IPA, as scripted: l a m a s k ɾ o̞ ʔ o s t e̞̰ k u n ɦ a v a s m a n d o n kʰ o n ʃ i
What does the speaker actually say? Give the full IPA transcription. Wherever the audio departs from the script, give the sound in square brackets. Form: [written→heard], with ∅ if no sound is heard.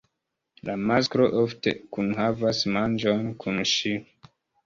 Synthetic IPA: l a m a s k ɾ o̞ ʔ o [s→f] t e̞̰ k u n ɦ a v a s m a n [d→d͡ʒ] o n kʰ [o→u] n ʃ i